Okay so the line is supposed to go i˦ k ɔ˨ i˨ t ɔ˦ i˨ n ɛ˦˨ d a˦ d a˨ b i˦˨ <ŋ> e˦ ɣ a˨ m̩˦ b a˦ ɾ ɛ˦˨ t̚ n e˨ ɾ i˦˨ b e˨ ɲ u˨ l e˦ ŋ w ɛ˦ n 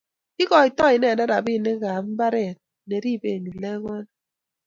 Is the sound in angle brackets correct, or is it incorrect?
incorrect: n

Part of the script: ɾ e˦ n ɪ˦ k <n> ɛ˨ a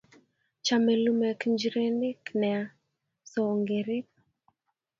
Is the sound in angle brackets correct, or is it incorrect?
correct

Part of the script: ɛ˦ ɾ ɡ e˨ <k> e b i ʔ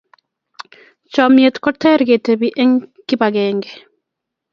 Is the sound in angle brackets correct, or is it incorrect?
incorrect: t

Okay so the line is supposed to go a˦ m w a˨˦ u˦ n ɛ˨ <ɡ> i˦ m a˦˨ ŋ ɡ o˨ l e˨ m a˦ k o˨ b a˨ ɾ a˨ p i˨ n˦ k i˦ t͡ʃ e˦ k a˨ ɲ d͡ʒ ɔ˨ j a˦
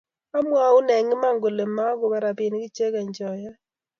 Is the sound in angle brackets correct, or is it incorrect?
incorrect: ŋ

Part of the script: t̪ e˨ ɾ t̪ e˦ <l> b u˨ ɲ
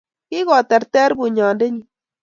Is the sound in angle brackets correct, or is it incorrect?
incorrect: ɾ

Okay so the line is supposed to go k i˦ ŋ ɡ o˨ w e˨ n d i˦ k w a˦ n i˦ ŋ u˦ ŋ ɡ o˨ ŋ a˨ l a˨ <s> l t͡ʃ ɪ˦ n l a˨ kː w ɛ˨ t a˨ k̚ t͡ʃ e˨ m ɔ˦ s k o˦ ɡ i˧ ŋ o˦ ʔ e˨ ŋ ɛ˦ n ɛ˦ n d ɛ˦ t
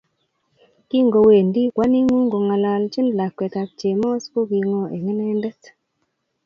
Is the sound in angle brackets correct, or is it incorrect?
incorrect: none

